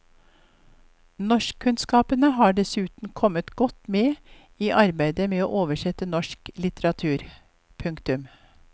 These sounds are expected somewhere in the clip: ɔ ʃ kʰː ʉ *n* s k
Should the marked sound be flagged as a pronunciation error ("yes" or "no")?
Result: no